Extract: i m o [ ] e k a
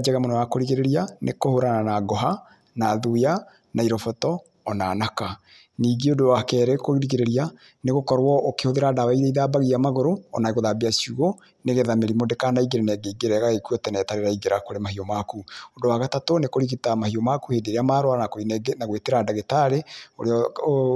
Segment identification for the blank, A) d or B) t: A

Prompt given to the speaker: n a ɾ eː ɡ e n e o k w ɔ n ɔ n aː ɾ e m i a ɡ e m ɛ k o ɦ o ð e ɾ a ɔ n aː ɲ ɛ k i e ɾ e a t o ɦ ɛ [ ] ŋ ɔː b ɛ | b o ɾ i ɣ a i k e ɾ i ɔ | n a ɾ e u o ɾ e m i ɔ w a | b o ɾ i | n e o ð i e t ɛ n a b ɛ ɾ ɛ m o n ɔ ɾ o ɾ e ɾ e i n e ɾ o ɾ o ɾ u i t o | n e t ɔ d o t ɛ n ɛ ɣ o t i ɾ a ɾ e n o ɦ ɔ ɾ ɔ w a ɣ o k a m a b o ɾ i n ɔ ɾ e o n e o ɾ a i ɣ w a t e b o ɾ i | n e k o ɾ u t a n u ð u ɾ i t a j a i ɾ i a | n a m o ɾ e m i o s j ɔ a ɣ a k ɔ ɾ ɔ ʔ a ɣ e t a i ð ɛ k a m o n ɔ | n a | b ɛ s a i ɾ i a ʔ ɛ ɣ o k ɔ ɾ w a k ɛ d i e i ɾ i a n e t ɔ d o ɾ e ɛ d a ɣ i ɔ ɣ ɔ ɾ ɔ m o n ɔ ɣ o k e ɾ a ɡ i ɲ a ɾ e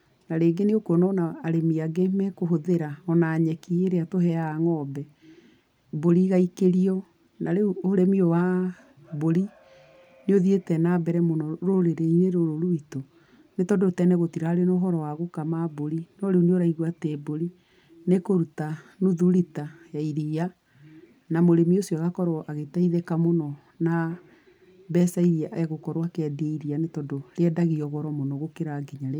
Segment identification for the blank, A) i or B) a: B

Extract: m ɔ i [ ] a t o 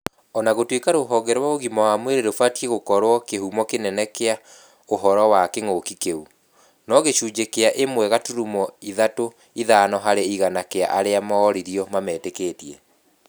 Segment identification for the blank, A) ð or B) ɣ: A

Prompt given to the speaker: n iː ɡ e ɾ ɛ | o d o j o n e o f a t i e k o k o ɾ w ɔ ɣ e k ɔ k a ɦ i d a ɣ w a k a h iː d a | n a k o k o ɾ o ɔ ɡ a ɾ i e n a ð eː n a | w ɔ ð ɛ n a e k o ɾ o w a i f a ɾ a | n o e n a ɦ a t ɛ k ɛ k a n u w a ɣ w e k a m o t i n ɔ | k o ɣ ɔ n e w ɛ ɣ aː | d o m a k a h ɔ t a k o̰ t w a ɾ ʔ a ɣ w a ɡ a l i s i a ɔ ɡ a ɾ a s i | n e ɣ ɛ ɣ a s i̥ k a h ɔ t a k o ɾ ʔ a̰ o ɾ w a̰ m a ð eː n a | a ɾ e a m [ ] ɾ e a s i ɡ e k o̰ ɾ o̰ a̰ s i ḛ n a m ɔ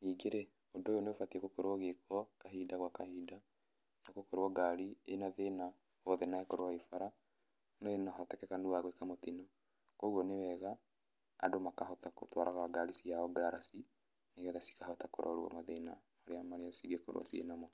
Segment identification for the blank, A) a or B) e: A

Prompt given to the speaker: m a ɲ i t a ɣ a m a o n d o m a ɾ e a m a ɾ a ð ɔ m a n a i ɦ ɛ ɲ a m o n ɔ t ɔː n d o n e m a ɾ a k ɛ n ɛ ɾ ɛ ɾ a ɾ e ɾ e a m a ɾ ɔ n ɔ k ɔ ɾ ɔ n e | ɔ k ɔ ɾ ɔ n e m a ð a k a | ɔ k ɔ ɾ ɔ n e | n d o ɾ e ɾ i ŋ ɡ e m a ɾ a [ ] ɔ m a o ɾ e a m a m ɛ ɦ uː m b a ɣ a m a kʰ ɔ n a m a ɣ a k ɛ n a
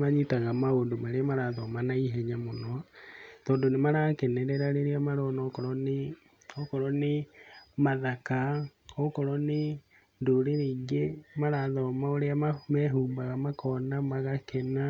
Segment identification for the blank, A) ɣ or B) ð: B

